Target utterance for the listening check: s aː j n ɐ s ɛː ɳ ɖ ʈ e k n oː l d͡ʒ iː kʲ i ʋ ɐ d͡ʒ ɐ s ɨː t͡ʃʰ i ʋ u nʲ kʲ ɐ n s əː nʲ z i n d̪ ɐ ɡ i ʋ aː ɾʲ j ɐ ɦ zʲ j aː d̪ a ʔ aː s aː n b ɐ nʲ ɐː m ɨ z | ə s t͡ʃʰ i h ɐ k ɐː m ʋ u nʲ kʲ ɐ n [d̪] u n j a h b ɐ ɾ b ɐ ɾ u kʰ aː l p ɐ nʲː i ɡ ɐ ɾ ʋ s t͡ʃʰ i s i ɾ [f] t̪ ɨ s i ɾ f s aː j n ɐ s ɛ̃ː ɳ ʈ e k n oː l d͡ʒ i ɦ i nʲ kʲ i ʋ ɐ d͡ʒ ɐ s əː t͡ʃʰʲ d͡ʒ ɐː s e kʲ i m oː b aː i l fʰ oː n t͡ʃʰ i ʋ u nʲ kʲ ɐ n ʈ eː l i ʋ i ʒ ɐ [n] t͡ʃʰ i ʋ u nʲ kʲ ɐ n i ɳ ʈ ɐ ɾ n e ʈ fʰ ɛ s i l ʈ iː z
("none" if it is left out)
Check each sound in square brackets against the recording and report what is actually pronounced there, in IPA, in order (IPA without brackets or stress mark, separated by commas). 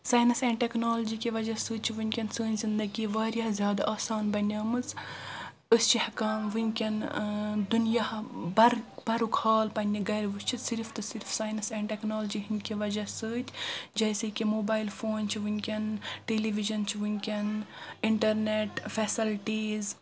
d̪, f, n